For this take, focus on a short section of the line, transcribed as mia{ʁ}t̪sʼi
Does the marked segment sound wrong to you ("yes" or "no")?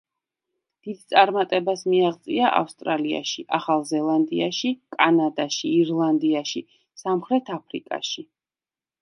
no